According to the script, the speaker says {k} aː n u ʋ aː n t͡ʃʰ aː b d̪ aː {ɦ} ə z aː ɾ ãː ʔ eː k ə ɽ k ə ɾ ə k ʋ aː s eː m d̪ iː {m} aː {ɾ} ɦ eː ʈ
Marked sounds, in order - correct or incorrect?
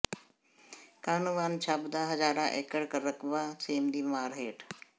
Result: correct, correct, correct, correct

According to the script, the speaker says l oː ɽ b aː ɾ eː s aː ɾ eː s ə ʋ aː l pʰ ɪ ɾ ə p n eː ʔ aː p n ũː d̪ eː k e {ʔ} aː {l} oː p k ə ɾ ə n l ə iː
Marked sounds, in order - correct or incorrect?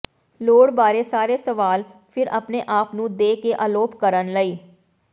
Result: correct, correct

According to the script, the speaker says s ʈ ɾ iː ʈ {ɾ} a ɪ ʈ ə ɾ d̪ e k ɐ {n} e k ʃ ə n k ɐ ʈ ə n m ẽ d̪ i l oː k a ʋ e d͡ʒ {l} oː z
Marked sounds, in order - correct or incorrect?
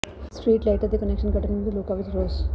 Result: incorrect, correct, incorrect

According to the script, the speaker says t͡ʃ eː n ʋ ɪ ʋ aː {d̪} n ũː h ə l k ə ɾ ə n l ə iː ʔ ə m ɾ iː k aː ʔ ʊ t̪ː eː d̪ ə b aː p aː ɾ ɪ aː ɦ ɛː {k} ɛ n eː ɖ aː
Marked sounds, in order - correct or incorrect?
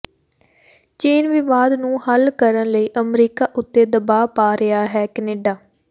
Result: correct, correct

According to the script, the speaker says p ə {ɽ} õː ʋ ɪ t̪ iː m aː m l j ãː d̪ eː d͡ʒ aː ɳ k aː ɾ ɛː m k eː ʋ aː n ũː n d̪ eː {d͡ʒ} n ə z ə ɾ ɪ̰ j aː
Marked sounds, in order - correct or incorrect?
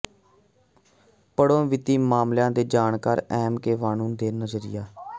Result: correct, incorrect

